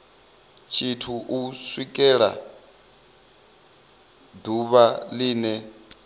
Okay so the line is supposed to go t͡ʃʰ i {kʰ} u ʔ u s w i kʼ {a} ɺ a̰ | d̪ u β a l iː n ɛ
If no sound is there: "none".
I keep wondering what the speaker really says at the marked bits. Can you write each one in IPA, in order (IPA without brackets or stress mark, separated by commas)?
tʰ, ɛ